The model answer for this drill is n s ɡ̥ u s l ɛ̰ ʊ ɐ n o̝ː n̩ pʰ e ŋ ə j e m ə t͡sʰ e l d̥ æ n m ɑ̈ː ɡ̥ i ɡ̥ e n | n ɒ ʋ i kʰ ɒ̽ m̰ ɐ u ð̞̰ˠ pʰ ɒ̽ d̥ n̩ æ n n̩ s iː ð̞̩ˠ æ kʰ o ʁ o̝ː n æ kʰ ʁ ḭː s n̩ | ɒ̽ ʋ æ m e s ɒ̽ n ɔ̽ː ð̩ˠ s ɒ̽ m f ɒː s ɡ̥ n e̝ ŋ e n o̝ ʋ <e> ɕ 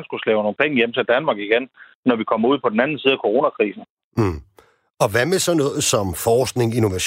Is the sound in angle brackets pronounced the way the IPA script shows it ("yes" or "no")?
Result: no